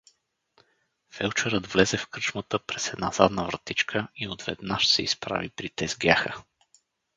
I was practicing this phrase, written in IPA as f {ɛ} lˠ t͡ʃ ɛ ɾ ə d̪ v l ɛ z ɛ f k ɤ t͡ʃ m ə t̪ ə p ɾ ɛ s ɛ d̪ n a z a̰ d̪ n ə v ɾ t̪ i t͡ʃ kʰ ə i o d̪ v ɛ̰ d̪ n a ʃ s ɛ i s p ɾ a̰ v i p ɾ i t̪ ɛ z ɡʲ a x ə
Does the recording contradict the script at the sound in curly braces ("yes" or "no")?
no